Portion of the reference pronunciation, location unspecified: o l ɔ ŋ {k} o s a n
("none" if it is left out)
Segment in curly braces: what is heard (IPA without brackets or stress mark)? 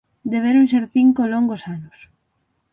ɡ